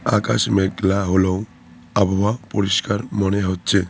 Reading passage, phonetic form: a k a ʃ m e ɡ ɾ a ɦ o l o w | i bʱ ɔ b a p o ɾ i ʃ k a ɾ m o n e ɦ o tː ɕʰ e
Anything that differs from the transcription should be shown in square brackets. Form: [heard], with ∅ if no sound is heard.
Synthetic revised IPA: a k a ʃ m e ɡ [l] a ɦ o l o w | [a] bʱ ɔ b a p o ɾ i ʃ k a ɾ m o n e ɦ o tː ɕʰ e